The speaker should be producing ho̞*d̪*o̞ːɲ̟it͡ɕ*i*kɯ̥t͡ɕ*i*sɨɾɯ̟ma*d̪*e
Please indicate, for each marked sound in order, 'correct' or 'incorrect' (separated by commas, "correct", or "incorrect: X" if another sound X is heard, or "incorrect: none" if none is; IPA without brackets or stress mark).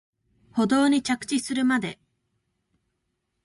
correct, incorrect: a, correct, correct